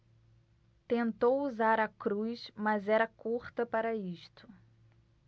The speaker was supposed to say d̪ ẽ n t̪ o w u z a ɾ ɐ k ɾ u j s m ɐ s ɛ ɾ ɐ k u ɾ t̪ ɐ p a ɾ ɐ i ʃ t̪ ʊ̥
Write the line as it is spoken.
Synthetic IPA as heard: t̪ ẽ n t̪ o w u z a ɾ ɐ k ɾ u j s m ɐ z ɛ ɾ ɐ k u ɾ t̪ ɐ p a ɾ ɐ i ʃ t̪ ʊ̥